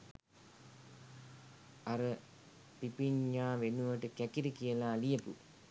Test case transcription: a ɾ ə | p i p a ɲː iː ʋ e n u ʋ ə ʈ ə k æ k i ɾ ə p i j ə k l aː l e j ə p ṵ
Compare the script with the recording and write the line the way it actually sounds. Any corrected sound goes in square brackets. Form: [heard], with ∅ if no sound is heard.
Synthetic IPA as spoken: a ɾ ə | p i p [i] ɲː [aː] ʋ e n u ʋ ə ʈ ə k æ k i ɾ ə [k] i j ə [∅] l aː l [i] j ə p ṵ